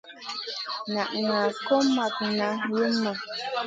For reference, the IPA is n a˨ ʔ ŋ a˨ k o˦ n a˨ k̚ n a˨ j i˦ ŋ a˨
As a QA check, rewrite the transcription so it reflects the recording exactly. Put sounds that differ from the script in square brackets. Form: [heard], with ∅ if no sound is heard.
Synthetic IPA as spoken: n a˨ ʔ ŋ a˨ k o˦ [m] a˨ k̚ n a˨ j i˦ [m] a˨